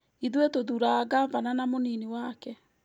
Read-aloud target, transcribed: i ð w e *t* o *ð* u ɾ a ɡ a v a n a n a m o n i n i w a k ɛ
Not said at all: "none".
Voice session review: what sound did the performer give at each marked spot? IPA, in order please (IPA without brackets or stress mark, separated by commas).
t, ð